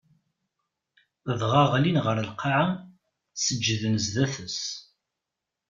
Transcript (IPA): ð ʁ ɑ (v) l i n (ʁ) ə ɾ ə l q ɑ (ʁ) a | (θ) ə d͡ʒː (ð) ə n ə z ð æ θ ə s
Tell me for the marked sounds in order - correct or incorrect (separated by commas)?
incorrect, correct, incorrect, incorrect, correct